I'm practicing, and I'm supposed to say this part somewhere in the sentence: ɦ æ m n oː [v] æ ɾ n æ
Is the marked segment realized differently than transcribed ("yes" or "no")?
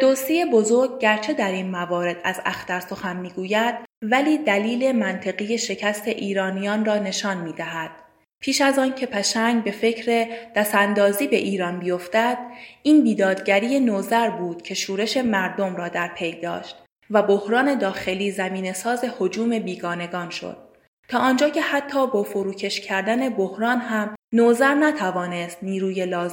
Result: yes